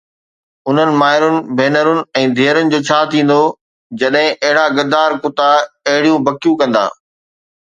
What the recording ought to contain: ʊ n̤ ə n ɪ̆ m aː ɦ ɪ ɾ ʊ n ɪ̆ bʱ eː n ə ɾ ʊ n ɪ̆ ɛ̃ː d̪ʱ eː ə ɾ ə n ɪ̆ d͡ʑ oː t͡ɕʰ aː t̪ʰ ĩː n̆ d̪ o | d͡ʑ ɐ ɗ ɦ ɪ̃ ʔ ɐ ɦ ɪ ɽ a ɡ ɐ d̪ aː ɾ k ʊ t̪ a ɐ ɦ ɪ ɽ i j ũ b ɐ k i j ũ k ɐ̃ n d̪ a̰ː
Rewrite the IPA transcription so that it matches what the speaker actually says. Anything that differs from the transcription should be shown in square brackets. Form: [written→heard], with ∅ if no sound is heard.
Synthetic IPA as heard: ʊ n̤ ə n ɪ̆ m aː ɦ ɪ ɾ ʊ n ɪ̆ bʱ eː n ə ɾ ʊ n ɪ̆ ɛ̃ː d̪ʱ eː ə ɾ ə n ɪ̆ d͡ʑ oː t͡ɕʰ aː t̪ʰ ĩː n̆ d̪ o | d͡ʑ ɐ ɗ ɦ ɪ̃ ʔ ɐ ɦ ɪ ɽ a ɡ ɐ d̪ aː ɾ k ʊ t̪ a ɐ ɦ ɪ ɽ i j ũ b ɐ k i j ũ k ɐ̃ n d̪ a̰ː

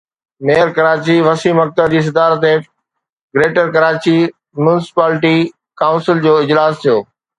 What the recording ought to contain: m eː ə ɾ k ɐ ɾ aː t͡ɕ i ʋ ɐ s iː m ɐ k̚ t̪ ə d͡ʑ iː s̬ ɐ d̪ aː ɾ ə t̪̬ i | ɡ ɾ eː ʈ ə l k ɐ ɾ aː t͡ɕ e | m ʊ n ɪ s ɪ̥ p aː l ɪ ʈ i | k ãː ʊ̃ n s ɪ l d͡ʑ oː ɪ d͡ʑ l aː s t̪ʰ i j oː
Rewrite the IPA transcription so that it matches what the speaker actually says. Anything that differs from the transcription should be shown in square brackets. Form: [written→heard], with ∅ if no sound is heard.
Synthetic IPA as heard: m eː ə ɾ k ɐ ɾ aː t͡ɕ i ʋ ɐ s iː m ɐ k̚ t̪ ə d͡ʑ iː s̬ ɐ d̪ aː ɾ ə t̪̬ [i→e] | ɡ ɾ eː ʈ ə [l→ɾ] k ɐ ɾ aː t͡ɕ [e→i] | m ʊ n ɪ s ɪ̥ p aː l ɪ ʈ i | k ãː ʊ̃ n s ɪ l d͡ʑ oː ɪ d͡ʑ l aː s t̪ʰ i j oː

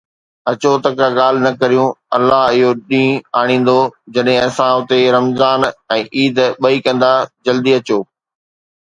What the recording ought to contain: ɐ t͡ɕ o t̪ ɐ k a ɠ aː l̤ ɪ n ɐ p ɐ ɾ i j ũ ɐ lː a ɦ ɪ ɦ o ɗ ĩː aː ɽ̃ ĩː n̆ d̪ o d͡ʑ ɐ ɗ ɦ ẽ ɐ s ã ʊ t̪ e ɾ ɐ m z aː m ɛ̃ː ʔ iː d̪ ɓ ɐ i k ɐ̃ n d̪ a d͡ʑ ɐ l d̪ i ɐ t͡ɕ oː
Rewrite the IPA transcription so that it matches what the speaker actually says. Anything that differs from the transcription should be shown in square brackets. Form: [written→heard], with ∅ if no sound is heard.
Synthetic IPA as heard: ɐ t͡ɕ o t̪ ɐ k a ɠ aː l̤ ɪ n ɐ [p→k] ɐ ɾ i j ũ ɐ lː a ɦ ɪ ɦ o ɗ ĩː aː ɽ̃ ĩː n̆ d̪ o d͡ʑ ɐ ɗ ɦ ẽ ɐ s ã ʊ t̪ e ɾ ɐ m z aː [m→n] ɛ̃ː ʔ iː d̪ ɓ ɐ i k ɐ̃ n d̪ a d͡ʑ ɐ l d̪ i ɐ t͡ɕ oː

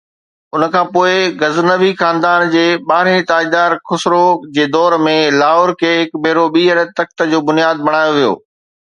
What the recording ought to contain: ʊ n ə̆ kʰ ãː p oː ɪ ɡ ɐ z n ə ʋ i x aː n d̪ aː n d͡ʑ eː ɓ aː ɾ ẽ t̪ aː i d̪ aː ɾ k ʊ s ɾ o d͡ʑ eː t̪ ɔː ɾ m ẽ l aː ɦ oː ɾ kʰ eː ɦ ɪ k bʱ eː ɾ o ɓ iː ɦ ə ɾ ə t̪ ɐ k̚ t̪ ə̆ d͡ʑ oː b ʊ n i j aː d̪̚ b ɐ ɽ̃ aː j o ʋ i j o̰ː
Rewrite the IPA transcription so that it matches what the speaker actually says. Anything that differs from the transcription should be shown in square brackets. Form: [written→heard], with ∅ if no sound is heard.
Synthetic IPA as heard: ʊ n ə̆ kʰ ãː p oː ɪ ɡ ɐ z n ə ʋ i x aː n d̪ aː n d͡ʑ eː ɓ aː ɾ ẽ t̪ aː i d̪ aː ɾ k ʊ s ɾ o d͡ʑ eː [t̪→d̪] ɔː ɾ m ẽ l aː ɦ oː ɾ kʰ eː ɦ ɪ k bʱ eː ɾ o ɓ iː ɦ ə ɾ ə t̪ ɐ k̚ t̪ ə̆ d͡ʑ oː b ʊ n i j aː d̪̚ b ɐ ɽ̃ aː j o ʋ i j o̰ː

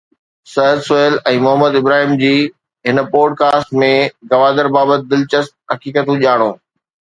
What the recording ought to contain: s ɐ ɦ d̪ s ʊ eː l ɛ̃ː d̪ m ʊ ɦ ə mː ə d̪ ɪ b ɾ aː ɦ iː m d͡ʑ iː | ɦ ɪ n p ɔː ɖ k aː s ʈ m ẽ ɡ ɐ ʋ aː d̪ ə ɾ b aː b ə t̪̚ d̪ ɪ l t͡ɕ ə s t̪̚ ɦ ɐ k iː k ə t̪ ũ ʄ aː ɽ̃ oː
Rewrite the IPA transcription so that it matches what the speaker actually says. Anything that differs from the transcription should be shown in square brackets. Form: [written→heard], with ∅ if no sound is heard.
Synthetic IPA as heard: s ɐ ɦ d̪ s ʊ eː l ɛ̃ː [d̪→∅] m ʊ ɦ ə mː ə d̪ ɪ b ɾ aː ɦ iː m d͡ʑ iː | ɦ ɪ n p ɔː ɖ k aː s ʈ m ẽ ɡ ɐ ʋ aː d̪ ə ɾ b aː b ə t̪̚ d̪ ɪ l t͡ɕ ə s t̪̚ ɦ ɐ k iː k ə t̪ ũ ʄ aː ɽ̃ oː

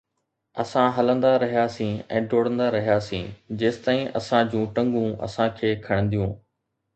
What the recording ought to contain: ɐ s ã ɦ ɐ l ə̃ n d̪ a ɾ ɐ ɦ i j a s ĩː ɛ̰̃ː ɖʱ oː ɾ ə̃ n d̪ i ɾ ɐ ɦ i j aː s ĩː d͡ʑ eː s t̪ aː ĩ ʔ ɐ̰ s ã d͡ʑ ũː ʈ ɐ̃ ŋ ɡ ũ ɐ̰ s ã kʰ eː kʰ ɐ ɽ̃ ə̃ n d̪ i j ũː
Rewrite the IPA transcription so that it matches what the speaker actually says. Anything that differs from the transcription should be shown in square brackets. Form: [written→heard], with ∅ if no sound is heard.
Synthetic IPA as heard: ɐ s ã ɦ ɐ l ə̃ n d̪ a ɾ ɐ ɦ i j a s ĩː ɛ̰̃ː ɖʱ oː [ɾ→ɽ] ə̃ n d̪ [i→a] ɾ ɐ ɦ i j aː s ĩː d͡ʑ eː s t̪ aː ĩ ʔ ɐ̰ s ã d͡ʑ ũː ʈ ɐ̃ ŋ ɡ ũ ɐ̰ s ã kʰ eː kʰ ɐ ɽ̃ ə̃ n d̪ i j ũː

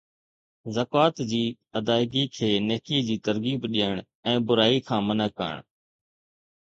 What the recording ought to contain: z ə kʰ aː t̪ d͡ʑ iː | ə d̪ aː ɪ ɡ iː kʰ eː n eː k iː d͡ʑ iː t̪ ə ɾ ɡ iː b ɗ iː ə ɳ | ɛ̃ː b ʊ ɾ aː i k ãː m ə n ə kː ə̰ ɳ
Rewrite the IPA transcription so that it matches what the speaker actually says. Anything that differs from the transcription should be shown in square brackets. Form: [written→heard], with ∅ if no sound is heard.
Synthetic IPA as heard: z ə [kʰ→k] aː t̪ d͡ʑ iː | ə d̪ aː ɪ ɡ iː kʰ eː n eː k iː d͡ʑ iː t̪ ə ɾ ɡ iː b ɗ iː ə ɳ | ɛ̃ː b ʊ ɾ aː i [k→kʰ] ãː m ə n ə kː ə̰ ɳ

